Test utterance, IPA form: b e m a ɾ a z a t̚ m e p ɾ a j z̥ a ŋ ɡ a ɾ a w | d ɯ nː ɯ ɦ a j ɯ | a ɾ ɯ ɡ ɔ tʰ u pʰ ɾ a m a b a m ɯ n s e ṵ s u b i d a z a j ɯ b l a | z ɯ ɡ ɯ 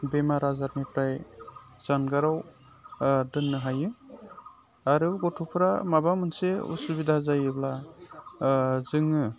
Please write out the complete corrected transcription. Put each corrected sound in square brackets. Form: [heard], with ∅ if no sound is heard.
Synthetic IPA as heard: b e m a ɾ a z a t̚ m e p ɾ a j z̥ a [n] ɡ a ɾ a w | d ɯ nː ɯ ɦ a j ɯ | a ɾ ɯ ɡ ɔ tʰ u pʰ ɾ a m a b a m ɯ n s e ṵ s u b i d a z a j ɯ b l a | z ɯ [ŋ] ɯ